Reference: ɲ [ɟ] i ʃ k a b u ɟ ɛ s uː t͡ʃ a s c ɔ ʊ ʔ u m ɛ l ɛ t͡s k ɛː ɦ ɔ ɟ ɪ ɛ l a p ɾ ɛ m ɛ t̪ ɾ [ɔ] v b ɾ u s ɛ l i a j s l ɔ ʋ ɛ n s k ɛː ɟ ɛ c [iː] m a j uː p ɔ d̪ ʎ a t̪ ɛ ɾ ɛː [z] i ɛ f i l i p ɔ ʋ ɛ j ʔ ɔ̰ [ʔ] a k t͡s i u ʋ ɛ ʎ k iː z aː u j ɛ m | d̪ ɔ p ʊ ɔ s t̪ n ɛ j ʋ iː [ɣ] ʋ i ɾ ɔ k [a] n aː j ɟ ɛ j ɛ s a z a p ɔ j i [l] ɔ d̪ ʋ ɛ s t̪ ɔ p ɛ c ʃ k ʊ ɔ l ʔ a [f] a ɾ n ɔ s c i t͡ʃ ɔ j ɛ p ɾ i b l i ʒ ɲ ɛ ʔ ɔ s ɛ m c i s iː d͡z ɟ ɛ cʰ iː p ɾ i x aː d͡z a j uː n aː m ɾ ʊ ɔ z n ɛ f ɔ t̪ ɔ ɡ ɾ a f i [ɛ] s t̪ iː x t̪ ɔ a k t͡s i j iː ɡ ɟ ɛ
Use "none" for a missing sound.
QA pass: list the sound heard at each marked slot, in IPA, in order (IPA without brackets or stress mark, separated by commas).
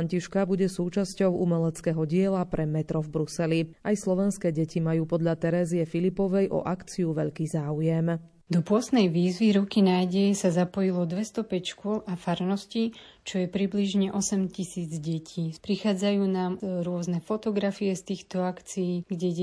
c, ɔ, i, z, ʔ, z, i, l, f, ɛ